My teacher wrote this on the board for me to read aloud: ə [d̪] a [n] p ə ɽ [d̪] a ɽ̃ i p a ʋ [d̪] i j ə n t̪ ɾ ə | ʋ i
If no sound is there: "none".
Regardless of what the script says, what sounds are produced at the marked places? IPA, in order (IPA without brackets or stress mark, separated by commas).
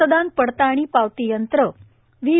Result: d̪, n, t̪, t̪